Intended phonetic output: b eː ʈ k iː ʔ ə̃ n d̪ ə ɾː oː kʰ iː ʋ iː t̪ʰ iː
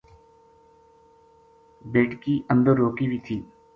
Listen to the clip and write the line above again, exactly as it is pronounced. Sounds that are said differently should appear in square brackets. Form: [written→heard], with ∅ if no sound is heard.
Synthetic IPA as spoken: b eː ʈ k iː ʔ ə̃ n d̪ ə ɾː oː [kʰ→k] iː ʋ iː t̪ʰ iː